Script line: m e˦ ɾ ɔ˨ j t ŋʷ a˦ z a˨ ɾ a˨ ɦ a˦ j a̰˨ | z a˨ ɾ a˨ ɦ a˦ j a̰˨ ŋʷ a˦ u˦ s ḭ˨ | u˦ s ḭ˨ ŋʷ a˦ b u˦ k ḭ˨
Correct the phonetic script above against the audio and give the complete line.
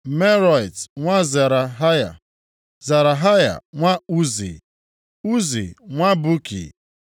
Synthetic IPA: m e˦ ɾ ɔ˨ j t ŋʷ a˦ z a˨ ɾ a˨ ɦ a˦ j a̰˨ | z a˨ ɾ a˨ ɦ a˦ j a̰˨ ŋʷ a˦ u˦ z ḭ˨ | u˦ z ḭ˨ ŋʷ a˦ b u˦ k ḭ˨

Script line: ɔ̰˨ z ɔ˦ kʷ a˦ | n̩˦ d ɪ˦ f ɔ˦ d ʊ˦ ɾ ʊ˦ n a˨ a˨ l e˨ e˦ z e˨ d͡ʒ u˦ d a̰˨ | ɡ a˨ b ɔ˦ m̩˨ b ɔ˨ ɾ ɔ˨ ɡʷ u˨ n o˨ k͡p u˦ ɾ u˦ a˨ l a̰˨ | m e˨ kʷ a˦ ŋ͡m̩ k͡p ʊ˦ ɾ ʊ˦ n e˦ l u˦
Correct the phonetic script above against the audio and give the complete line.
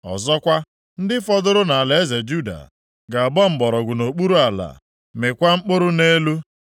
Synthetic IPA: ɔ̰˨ z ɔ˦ kʷ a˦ | n̩˦ d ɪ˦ f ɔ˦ d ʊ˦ ɾ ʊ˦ n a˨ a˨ l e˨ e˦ z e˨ d͡ʒ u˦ d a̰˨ | ɡ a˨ b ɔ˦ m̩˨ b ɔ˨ ɾ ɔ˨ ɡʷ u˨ n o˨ k͡p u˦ ɾ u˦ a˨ l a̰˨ | m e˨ kʷ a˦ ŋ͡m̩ k͡p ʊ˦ ɾ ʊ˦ n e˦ l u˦

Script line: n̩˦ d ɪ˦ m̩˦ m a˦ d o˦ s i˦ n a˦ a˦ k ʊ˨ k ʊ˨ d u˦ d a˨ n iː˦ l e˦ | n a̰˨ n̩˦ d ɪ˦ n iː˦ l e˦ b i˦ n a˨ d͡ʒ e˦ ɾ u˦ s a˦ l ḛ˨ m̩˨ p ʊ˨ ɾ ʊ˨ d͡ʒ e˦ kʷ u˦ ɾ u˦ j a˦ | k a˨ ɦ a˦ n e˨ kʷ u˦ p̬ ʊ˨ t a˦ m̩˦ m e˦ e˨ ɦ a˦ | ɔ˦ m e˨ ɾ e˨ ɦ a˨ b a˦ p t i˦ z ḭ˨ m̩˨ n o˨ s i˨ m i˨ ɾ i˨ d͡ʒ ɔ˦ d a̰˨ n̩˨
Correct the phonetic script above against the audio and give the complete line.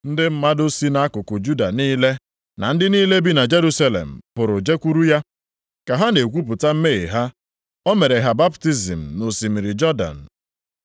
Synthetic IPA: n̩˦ d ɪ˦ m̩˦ m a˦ d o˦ s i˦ n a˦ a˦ k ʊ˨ k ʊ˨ d͡ʒ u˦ d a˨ n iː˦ l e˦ | n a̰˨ n̩˦ d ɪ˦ n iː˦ l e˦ b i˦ n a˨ d͡ʒ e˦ ɾ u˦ s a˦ l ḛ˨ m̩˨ p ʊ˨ ɾ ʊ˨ d͡ʒ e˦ kʷ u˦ ɾ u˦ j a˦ | k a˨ ɦ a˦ n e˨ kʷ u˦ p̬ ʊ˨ t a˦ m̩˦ m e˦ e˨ ɦ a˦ | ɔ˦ m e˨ ɾ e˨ ɦ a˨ b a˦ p t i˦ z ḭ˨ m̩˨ n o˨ s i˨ m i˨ ɾ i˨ d͡ʒ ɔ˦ d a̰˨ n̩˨

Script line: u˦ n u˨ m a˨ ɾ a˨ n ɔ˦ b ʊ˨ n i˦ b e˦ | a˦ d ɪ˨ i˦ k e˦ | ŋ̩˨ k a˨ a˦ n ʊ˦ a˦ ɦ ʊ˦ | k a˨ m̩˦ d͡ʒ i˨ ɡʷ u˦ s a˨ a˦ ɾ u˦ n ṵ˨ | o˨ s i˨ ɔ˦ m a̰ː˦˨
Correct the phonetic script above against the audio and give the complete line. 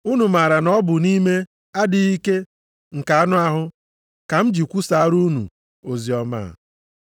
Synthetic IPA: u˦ n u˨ m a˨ ɾ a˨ n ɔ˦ b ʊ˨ n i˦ m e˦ | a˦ d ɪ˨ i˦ k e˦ | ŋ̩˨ k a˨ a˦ n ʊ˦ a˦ ɦ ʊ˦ | k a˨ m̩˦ d͡ʒ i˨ kʷ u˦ s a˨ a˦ ɾ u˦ n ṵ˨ | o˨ z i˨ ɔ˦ m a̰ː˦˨

